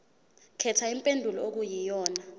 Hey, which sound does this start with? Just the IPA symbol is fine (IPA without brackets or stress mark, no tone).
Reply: kʰ